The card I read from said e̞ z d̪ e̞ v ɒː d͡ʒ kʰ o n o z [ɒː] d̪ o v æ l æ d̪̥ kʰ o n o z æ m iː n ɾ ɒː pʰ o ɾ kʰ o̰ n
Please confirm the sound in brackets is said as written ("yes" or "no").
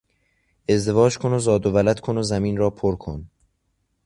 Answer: yes